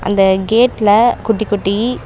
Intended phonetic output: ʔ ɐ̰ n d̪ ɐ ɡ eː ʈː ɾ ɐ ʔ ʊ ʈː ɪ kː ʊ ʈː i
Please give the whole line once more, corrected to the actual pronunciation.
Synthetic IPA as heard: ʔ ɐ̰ n d̪ ɐ ɡ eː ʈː l ɐ k ʊ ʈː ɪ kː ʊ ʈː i